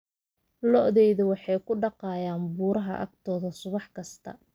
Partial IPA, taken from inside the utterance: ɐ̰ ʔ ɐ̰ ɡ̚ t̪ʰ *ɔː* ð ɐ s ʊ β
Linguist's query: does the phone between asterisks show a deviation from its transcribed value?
no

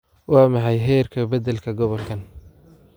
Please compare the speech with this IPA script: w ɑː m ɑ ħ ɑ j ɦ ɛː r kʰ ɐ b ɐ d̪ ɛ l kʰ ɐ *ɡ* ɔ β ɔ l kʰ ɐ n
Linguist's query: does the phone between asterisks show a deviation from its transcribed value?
no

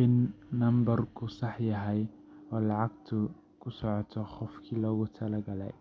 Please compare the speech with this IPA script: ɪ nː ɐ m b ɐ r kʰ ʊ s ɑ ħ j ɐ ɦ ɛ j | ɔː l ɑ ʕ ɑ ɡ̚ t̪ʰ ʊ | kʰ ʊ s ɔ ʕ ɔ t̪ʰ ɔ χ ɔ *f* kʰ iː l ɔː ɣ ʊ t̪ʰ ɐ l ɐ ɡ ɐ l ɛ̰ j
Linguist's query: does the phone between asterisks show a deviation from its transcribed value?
no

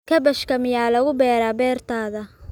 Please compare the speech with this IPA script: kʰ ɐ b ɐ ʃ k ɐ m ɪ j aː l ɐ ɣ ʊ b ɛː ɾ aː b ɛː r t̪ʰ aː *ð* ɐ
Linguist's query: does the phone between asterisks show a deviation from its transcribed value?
no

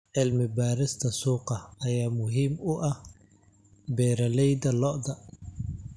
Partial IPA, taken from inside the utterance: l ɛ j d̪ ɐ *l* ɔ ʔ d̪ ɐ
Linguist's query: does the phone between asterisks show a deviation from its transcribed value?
no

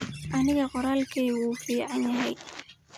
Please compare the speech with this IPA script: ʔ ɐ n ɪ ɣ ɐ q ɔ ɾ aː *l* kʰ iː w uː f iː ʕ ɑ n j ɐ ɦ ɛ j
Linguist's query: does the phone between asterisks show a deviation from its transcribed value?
no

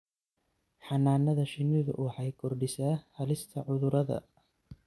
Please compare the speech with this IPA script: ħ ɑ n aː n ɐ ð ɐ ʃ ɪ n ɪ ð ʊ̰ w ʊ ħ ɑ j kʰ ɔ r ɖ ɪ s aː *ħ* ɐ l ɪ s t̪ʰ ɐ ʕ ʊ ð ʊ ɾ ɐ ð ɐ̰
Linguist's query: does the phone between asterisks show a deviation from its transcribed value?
yes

